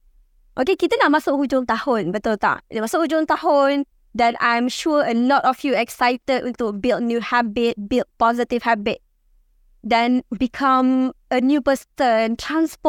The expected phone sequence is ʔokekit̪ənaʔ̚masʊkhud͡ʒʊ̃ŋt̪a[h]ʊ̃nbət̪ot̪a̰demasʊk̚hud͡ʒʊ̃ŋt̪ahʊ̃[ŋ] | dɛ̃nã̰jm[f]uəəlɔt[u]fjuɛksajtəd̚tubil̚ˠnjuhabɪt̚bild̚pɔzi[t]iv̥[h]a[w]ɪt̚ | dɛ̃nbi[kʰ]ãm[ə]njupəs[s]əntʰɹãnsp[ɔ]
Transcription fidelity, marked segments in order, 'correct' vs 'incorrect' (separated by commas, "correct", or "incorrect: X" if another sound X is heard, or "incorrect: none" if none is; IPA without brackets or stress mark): correct, incorrect: n, incorrect: ʃ, incorrect: ɔ, correct, correct, incorrect: b, correct, correct, incorrect: t, correct